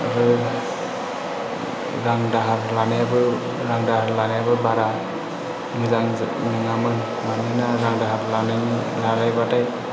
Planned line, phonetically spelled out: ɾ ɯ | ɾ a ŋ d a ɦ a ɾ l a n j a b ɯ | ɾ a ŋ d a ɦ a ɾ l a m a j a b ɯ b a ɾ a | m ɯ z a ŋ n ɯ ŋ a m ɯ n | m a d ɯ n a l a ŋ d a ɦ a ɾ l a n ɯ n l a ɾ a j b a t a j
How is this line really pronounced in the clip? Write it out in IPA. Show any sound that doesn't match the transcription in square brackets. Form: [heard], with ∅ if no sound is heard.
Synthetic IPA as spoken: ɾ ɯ | ɾ a ŋ d a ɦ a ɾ l a n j a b ɯ | ɾ a ŋ d a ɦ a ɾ l a [n] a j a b ɯ b a ɾ a | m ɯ z a ŋ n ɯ ŋ a m ɯ n | m a [n] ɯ n a [ɾ] a ŋ d a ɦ a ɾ l a n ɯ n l a ɾ a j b a t a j